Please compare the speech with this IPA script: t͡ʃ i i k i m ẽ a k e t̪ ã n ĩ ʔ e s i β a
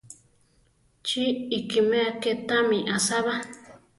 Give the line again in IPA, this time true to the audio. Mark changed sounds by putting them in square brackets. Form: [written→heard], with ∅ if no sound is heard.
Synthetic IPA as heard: t͡ʃ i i k i m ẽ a k e t̪ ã [n→m] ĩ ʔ [e→a] s [i→a] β a